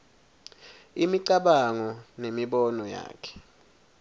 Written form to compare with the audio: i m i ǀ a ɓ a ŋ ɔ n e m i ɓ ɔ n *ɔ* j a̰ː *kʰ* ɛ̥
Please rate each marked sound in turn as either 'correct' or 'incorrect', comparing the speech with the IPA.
correct, correct

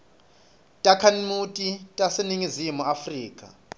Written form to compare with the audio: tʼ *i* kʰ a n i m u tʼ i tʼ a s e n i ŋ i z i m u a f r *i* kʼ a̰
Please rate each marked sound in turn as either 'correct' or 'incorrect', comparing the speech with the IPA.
incorrect, incorrect

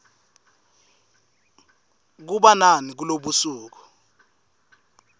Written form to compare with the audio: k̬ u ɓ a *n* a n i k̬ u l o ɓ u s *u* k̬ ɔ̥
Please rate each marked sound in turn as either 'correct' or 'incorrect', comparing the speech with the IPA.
correct, incorrect

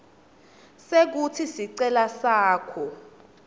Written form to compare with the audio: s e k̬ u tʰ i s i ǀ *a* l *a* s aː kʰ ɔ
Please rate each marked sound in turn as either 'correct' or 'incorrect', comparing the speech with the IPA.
incorrect, correct

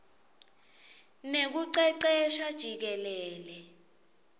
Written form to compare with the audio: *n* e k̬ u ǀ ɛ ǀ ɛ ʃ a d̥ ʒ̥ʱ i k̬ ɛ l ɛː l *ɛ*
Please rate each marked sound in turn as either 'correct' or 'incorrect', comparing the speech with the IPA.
correct, correct

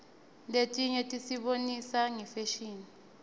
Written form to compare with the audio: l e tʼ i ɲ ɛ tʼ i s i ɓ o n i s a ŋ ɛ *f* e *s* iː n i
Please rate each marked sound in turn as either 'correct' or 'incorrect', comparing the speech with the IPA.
correct, incorrect

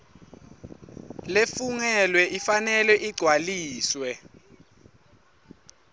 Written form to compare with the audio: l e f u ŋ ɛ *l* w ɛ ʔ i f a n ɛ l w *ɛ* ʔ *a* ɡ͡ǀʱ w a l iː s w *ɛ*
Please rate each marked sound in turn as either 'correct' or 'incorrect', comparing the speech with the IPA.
correct, correct, incorrect, correct

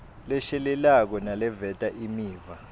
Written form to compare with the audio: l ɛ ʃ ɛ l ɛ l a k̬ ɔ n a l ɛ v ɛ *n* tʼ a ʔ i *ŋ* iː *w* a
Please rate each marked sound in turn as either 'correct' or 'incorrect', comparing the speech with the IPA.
incorrect, incorrect, incorrect

